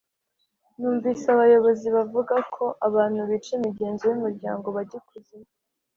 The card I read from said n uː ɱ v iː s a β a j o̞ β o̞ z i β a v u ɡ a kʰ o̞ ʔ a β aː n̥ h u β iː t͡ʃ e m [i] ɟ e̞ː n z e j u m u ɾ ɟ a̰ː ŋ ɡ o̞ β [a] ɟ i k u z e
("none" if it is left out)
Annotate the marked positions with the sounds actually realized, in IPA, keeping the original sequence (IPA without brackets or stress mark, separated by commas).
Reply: i, a